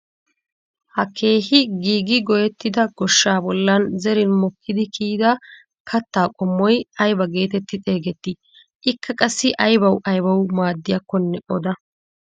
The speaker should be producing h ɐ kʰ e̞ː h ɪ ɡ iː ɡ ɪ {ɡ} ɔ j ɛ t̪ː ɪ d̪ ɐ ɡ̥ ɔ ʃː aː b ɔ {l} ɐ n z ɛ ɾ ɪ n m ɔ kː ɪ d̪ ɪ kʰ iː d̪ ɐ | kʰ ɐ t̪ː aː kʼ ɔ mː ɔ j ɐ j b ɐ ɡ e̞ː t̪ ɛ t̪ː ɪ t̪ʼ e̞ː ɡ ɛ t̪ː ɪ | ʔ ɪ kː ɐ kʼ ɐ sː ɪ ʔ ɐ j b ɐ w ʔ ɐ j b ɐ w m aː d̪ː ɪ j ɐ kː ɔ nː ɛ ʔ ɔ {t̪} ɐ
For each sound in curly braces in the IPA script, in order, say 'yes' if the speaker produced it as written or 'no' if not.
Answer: yes, no, no

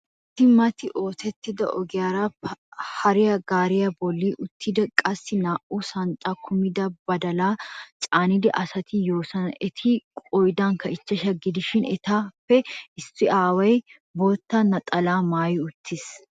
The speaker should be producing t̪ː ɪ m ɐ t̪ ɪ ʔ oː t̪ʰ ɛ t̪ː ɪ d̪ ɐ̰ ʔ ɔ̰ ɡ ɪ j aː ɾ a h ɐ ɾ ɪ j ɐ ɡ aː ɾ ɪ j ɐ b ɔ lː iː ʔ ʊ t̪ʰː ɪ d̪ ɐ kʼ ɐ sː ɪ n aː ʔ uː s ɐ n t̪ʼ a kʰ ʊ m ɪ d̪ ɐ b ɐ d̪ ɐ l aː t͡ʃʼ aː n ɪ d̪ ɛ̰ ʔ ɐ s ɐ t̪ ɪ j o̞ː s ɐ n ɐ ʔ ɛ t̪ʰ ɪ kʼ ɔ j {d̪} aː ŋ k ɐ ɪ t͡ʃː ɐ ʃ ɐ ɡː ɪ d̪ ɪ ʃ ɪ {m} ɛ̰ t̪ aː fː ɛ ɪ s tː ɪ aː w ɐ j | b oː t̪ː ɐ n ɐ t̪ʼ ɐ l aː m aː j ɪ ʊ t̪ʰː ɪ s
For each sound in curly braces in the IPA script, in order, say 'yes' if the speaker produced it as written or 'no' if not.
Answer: yes, no

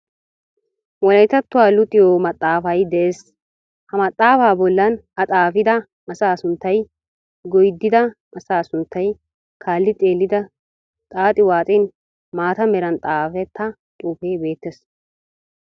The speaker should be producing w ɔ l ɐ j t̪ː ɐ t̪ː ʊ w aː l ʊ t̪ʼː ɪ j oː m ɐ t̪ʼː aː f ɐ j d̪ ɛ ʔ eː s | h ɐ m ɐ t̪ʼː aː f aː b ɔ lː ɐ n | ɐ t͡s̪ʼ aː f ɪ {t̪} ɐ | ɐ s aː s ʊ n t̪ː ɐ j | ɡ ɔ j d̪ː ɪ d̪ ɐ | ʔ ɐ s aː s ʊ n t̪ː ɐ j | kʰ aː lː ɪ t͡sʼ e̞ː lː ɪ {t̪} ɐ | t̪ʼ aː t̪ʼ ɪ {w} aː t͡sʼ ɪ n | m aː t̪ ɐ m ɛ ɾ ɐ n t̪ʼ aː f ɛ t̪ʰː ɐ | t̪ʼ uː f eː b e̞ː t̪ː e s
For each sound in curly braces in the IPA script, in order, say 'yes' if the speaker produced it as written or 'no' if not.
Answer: no, no, yes

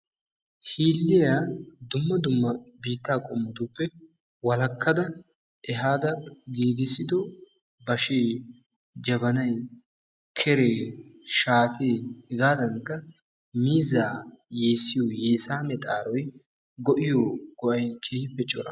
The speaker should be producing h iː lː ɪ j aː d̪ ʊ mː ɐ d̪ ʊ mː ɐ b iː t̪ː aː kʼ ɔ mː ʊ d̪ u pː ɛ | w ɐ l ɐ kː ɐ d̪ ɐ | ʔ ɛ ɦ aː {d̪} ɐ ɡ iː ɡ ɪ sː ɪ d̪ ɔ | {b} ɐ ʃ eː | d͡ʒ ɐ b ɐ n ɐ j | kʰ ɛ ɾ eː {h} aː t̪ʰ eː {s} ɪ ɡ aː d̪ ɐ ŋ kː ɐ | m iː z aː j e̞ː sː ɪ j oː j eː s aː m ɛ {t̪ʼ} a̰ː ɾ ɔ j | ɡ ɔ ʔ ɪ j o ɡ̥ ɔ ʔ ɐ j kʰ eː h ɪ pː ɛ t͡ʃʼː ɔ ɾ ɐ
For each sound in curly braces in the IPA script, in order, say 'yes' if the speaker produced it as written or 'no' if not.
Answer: yes, yes, no, no, yes

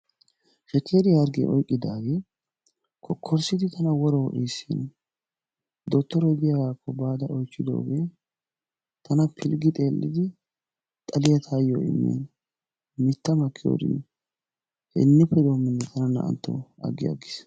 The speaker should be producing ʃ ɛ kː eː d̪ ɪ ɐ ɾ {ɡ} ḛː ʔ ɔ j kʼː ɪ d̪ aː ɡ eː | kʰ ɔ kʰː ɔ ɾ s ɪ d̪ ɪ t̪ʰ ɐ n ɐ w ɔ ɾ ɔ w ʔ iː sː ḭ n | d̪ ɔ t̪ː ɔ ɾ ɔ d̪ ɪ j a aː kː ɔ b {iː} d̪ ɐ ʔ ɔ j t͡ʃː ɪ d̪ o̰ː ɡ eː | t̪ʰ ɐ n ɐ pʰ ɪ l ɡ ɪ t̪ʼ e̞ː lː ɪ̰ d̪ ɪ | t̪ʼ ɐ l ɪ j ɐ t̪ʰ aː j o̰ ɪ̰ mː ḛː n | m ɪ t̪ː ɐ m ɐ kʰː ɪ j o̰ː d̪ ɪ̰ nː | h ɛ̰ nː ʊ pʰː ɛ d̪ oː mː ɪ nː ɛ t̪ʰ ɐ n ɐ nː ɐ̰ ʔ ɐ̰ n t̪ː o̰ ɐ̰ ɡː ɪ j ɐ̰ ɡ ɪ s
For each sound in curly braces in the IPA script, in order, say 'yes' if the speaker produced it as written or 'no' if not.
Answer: yes, no

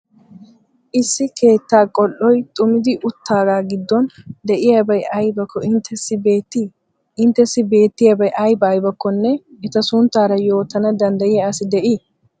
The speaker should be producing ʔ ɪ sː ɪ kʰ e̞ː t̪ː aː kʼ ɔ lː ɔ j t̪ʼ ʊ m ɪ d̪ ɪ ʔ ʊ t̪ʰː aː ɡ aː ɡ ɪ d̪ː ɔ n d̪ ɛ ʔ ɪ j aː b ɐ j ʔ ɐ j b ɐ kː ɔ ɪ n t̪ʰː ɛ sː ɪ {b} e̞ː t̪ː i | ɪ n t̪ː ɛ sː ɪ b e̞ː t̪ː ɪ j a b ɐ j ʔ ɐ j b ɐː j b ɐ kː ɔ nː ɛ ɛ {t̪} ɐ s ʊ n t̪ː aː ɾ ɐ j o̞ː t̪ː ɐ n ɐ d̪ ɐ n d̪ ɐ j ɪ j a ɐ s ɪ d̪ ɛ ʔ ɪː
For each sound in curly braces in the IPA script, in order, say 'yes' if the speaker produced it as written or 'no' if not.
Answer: yes, yes

